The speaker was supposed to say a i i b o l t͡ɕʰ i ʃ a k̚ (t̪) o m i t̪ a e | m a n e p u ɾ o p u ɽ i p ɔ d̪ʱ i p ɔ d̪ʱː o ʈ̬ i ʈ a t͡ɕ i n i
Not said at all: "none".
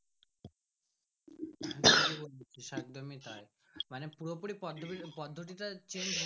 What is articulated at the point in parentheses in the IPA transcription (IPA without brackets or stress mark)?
d̪